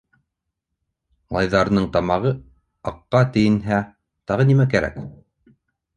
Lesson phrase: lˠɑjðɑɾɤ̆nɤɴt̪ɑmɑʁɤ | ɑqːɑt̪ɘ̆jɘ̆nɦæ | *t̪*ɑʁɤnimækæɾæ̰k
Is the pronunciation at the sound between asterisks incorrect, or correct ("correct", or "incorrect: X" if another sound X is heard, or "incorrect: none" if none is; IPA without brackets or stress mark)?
correct